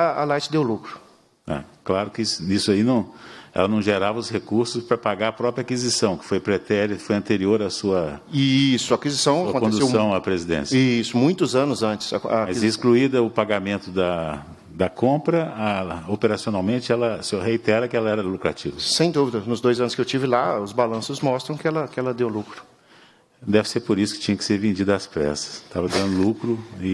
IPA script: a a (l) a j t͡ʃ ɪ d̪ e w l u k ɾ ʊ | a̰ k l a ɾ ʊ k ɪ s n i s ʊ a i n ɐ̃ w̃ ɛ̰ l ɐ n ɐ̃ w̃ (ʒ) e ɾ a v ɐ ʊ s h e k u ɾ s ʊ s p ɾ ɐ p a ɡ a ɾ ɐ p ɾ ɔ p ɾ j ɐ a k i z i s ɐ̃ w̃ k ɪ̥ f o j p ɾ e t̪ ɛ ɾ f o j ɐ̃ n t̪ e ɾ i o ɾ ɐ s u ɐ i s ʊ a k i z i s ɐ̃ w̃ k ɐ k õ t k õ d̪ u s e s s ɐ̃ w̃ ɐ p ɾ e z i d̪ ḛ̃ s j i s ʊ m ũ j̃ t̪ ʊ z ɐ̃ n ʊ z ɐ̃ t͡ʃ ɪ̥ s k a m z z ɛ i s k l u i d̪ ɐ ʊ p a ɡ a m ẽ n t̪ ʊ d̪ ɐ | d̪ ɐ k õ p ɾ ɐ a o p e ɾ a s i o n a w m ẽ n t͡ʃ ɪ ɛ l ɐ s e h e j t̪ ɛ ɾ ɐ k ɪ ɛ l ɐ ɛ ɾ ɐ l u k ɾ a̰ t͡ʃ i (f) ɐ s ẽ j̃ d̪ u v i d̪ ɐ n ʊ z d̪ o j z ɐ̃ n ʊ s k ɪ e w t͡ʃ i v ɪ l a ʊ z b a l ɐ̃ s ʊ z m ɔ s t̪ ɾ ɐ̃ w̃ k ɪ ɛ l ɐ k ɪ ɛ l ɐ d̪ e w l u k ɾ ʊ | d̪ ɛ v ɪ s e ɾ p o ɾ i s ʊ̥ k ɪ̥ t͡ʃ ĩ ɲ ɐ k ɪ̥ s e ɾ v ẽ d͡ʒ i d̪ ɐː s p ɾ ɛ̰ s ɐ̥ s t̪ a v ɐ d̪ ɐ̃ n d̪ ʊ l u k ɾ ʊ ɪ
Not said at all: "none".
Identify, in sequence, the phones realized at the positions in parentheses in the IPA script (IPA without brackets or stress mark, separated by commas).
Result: l, ʒ, v